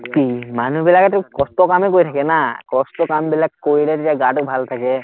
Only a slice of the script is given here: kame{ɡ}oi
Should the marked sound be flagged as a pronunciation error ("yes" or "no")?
yes